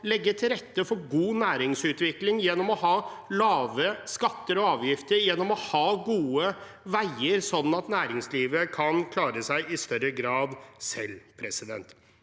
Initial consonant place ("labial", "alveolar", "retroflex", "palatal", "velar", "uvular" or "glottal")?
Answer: alveolar